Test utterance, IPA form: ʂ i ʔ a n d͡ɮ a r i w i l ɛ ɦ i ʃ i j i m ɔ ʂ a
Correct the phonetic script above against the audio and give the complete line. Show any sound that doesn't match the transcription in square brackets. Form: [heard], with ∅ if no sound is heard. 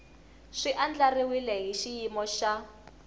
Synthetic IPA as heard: ʂ i ʔ a n d͡ɮ a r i w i l ɛ ɦ i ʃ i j i m ɔ [ʃ] a